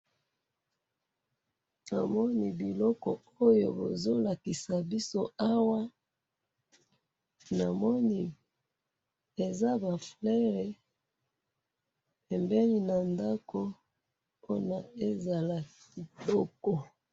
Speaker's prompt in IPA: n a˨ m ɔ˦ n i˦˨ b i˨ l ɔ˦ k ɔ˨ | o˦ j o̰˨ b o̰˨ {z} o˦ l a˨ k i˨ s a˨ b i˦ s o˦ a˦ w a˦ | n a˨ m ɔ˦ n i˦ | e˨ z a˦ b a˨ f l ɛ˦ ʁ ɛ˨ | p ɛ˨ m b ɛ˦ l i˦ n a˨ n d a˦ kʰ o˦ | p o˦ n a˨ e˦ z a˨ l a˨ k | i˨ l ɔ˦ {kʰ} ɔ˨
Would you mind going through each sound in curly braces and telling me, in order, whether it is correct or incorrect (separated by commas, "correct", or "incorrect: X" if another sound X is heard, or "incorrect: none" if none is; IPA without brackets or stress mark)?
correct, incorrect: k